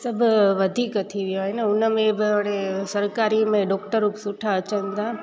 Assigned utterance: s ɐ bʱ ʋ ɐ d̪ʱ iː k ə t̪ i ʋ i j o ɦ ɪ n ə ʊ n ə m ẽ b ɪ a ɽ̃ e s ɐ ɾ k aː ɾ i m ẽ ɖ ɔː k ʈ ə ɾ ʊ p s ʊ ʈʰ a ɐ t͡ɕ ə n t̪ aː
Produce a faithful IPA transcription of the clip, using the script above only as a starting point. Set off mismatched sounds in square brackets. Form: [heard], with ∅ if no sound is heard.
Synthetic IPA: s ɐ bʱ ʋ ɐ d̪ʱ iː k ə [t̪ʰ] i ʋ i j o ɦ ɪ n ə ʊ n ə m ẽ b ɪ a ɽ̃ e s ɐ ɾ k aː ɾ i m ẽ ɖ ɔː k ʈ ə ɾ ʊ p s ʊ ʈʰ a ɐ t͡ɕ ə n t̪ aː

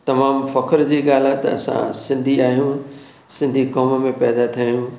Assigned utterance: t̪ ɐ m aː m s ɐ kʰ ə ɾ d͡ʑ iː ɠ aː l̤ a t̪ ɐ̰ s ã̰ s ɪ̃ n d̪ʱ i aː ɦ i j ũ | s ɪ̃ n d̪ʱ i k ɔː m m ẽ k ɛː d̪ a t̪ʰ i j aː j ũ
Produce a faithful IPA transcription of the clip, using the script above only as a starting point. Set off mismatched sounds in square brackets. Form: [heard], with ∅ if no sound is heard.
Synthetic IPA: t̪ ɐ m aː m [f] ɐ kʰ ə ɾ d͡ʑ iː ɠ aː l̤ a t̪ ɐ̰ s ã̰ s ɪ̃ n d̪ʱ i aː ɦ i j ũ | s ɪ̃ n d̪ʱ i k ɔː m m ẽ [p] ɛː d̪ a t̪ʰ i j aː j ũ

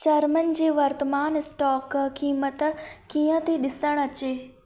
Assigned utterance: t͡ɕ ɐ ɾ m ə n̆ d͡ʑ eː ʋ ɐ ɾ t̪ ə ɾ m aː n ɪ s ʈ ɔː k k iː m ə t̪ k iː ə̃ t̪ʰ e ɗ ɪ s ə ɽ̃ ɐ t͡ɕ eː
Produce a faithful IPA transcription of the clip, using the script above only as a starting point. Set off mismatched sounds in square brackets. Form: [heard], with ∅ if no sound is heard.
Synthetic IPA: t͡ɕ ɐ ɾ m ə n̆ d͡ʑ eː ʋ ɐ ɾ t̪ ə [∅] m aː n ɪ s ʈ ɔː k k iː m ə t̪ k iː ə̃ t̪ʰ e ɗ ɪ s ə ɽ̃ ɐ t͡ɕ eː

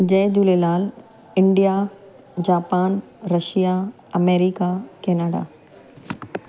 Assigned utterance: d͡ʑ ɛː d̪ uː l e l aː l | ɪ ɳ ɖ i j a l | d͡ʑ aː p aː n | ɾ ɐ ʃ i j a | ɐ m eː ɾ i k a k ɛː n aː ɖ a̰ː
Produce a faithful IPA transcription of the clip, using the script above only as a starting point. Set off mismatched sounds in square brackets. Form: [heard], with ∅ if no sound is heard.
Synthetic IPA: d͡ʑ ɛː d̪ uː l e l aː l | ɪ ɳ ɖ i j a [∅] | d͡ʑ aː p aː n | ɾ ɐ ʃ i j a | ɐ m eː ɾ i k a k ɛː n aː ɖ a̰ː

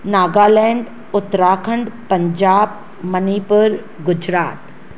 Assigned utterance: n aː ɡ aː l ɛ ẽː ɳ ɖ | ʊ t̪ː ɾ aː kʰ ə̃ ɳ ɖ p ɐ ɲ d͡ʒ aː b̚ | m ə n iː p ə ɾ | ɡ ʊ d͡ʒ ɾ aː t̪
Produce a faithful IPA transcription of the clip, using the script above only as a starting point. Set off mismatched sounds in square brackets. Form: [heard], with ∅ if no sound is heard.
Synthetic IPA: n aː ɡ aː l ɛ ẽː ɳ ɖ | ʊ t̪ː ɾ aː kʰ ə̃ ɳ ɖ p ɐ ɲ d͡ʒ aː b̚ | m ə n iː p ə ɾ | ɡ ʊ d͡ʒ ɾ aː t̪

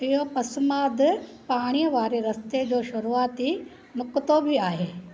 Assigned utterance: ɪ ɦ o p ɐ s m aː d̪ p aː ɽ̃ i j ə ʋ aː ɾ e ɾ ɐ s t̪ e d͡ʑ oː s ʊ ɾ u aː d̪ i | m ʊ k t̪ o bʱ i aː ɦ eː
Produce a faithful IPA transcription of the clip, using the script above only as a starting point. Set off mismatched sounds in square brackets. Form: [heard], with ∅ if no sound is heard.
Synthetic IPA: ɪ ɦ o p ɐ s m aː d̪ p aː ɽ̃ i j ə ʋ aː ɾ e ɾ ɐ s t̪ e d͡ʑ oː [ʃ] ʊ ɾ u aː [t̪] i | m ʊ k t̪ o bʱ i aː ɦ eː

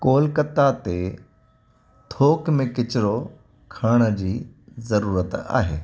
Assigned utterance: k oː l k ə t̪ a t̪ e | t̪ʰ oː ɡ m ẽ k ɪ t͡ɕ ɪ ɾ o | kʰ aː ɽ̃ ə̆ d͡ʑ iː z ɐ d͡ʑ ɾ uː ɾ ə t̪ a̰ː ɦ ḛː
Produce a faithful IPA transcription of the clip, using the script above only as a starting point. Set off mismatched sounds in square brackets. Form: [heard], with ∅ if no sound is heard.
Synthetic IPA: k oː l k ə t̪ a t̪ e | t̪ʰ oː [k] m ẽ k ɪ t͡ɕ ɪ ɾ o | kʰ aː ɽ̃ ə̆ d͡ʑ iː z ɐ [∅] ɾ uː ɾ ə t̪ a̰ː ɦ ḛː

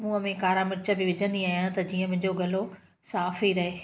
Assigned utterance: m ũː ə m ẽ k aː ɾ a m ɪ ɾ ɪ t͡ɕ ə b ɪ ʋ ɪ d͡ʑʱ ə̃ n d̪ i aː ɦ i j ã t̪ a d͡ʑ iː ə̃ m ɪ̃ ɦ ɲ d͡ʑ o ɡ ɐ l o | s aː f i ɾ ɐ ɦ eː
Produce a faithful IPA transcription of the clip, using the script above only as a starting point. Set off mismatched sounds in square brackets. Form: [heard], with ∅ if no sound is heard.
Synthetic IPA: m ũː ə m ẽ k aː ɾ a m ɪ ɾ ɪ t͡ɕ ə b ɪ ʋ ɪ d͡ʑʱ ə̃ n d̪ i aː ɦ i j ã t̪ [ɐ] d͡ʑ iː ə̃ m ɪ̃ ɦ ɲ d͡ʑ o ɡ ɐ l o | s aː f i ɾ ɐ ɦ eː

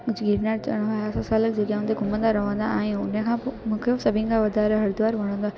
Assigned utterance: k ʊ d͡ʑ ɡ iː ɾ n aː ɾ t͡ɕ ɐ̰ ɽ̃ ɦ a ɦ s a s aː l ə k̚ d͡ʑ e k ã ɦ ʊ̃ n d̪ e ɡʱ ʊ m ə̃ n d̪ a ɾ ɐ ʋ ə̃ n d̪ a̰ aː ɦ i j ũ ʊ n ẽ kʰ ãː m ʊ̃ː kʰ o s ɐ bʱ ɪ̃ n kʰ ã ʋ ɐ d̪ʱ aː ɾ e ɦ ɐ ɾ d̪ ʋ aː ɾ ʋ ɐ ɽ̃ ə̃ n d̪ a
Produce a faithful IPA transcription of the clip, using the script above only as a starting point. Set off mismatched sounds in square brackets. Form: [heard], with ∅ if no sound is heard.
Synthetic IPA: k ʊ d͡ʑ ɡ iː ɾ n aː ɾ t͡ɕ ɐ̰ ɽ̃ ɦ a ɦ s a s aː l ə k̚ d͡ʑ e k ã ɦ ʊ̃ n d̪ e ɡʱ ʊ m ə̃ n d̪ a ɾ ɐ ʋ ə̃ n d̪ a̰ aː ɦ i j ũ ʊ n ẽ kʰ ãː m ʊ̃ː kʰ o s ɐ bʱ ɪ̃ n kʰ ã ʋ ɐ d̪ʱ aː ɾ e ɦ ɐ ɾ d̪ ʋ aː ɾ ʋ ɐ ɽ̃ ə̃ n d̪ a

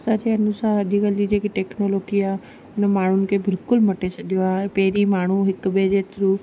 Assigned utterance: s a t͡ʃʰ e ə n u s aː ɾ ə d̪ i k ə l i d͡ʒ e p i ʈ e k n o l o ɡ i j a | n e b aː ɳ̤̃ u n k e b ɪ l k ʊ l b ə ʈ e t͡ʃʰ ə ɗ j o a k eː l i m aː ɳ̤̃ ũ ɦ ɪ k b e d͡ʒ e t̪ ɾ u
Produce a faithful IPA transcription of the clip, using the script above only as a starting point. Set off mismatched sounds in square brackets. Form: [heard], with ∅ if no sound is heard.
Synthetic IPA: s a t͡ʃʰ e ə n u s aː ɾ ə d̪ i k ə l i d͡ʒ e [k] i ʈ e k n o l o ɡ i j a | n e [m] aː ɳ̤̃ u n k e b ɪ l k ʊ l [m] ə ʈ e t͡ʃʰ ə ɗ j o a [p] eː [ɾ] i m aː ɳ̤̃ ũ ɦ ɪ k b e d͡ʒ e t̪ ɾ u

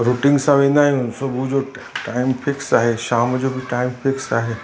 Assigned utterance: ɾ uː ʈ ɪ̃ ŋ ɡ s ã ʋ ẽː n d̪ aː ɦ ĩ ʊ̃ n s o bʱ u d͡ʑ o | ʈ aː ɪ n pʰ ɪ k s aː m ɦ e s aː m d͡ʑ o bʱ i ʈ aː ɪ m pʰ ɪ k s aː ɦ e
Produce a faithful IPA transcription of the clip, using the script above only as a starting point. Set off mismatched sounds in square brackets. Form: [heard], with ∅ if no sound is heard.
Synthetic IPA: ɾ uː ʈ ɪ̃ ŋ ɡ s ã ʋ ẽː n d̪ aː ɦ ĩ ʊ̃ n s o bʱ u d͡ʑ o | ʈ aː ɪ [m] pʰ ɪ k s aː [∅] ɦ e [ʃ] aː m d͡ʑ o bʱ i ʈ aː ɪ m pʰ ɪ k s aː ɦ e

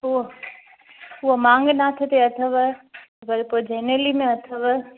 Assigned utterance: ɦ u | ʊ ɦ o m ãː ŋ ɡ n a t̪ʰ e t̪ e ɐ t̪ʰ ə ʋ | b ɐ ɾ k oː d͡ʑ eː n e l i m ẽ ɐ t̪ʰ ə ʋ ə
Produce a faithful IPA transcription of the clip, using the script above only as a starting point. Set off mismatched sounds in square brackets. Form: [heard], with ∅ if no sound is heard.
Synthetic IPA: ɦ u | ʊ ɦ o m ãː ŋ ɡ n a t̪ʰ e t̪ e ɐ t̪ʰ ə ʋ | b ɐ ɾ [p] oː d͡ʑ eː n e l i m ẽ ɐ t̪ʰ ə ʋ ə

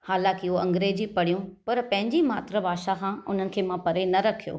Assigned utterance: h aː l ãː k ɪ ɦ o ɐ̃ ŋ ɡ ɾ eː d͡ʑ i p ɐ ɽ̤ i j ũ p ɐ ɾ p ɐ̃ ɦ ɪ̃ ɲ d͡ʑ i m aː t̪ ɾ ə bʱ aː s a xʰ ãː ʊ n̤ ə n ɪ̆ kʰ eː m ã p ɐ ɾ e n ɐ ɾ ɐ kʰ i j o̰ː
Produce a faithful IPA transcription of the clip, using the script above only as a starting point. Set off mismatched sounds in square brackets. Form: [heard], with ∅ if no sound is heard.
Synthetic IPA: h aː l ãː k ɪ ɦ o ɐ̃ ŋ ɡ ɾ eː d͡ʑ i p ɐ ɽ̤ i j ũ p ɐ ɾ p ɐ̃ ɦ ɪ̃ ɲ d͡ʑ i m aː t̪ ɾ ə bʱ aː [ʃ] a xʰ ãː ʊ n̤ ə n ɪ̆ kʰ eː m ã p ɐ ɾ e n ɐ ɾ ɐ kʰ i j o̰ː

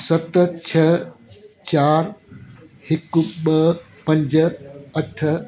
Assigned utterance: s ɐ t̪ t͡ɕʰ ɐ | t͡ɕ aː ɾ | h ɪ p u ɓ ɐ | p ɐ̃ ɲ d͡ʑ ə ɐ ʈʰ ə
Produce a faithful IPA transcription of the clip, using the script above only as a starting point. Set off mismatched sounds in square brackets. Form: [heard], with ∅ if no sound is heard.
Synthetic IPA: s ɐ t̪ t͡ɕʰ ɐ | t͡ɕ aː ɾ | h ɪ [k] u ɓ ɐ | p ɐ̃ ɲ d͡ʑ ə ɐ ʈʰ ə

